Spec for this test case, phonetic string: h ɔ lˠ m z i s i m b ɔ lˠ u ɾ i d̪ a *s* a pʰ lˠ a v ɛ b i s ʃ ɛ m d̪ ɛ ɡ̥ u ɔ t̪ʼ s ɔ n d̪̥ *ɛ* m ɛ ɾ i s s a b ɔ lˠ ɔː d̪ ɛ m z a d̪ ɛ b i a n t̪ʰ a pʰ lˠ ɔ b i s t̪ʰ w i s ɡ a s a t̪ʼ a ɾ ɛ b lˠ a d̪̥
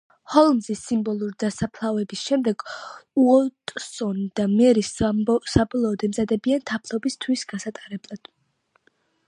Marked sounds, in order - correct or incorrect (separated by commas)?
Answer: correct, incorrect